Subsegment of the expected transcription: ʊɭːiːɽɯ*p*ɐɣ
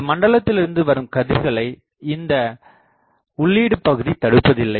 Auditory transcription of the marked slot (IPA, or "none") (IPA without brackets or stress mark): p